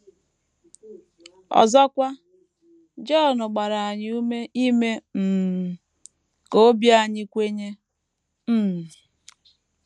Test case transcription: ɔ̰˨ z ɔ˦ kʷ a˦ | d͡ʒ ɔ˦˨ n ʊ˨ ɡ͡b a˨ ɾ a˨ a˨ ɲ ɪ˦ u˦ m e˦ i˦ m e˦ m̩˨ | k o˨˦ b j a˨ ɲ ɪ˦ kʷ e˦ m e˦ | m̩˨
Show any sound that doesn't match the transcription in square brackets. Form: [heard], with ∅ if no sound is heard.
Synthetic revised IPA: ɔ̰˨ z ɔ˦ kʷ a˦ | d͡ʒ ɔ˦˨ n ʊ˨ ɡ͡b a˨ ɾ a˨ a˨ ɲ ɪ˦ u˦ m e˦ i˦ m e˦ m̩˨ | k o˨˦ b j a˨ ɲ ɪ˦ kʷ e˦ [ɲ] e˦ | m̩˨

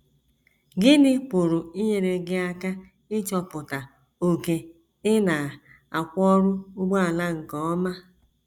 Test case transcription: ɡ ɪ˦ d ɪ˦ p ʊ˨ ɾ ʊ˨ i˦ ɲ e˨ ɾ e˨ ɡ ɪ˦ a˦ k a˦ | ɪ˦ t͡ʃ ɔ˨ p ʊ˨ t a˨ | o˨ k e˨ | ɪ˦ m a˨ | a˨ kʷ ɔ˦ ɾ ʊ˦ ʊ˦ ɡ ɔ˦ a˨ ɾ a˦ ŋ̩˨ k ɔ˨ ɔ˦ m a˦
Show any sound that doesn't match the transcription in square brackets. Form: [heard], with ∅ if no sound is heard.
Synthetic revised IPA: ɡ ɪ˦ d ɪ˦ p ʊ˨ ɾ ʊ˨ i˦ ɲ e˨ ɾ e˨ ɡ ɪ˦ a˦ k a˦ | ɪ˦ t͡ʃ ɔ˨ p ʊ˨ t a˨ | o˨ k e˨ | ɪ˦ [n] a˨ | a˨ kʷ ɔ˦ ɾ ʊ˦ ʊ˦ [ɡ͡b] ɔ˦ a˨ [l] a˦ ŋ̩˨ k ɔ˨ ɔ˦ m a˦

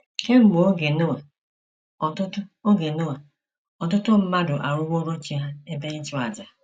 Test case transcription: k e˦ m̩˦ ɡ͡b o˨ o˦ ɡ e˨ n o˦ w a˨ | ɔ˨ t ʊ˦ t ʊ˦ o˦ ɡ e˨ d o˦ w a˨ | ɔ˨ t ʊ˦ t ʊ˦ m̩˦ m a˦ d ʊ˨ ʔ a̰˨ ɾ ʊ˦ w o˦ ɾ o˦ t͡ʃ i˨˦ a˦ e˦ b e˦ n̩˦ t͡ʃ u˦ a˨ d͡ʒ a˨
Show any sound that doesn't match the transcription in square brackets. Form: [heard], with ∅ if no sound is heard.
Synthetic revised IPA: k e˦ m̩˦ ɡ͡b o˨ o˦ ɡ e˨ n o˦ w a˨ | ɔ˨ t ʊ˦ t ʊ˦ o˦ ɡ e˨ [n] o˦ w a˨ | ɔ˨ t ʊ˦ t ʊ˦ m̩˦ m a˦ d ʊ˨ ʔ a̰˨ ɾ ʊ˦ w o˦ ɾ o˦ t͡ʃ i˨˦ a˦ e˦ b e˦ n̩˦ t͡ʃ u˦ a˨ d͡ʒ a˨

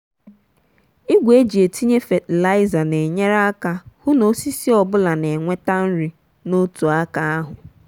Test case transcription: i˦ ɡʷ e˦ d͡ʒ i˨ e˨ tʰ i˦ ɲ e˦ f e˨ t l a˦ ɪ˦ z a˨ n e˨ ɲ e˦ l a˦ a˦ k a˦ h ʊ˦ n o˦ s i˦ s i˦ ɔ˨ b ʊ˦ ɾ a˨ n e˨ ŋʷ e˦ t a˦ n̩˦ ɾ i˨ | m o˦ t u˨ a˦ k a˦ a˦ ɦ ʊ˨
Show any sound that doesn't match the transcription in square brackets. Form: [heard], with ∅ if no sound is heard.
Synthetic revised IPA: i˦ ɡʷ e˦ d͡ʒ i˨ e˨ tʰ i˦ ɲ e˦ f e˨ t l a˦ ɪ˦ z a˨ n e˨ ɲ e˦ [ɾ] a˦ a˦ k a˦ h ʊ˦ n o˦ s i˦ s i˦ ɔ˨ b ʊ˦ [l] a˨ n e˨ ŋʷ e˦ t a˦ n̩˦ ɾ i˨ | [n] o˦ t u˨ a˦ k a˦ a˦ ɦ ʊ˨

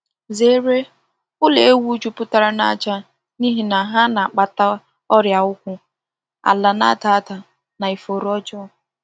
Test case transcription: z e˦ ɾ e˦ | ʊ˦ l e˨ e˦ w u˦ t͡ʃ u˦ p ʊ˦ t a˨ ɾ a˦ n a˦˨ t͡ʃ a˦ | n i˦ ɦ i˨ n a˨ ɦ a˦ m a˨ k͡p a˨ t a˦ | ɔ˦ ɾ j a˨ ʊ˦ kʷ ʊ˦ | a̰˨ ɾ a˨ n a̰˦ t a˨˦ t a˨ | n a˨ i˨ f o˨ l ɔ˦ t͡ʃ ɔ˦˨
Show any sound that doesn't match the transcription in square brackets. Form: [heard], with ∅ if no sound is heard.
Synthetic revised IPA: z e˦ ɾ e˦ | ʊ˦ l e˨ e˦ w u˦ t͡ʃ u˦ p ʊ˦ t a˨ ɾ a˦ n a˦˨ t͡ʃ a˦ | n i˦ ɦ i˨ n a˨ ɦ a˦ [n] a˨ k͡p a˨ t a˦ | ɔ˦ ɾ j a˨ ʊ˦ kʷ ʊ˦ | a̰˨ [l] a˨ n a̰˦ t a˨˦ t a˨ | n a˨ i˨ f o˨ [ɾ] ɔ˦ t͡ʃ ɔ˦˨

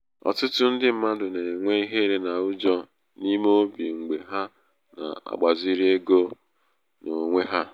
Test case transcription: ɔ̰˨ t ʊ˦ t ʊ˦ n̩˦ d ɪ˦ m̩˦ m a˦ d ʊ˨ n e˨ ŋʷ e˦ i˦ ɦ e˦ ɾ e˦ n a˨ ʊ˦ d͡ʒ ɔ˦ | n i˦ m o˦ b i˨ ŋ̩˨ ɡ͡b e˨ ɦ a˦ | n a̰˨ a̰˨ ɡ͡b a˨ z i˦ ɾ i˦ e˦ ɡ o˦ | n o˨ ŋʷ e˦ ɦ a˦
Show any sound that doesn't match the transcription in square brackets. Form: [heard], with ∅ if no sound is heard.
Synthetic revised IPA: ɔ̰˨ t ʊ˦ t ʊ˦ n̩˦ d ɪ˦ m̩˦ m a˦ d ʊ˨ n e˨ ŋʷ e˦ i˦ ɦ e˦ ɾ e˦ n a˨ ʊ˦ d͡ʒ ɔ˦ | n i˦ m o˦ b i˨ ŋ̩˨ ɡ͡b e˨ ɦ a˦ | n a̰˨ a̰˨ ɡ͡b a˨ z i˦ ɾ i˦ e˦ ɡ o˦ | n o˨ ŋʷ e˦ ɦ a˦

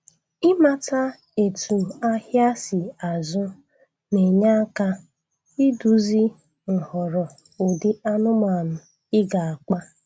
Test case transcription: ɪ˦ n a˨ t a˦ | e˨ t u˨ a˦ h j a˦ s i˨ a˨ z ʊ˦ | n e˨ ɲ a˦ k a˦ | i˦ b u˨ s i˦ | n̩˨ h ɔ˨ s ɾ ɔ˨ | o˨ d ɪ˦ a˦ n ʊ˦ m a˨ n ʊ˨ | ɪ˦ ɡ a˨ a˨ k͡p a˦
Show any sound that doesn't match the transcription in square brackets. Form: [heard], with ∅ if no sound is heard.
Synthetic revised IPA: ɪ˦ [m] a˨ t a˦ | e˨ t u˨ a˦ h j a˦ s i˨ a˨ z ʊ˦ | n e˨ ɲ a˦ k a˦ | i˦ [d] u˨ [z] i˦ | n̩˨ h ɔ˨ [∅] ɾ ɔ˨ | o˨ d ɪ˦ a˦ n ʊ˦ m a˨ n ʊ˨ | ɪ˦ ɡ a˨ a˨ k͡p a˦

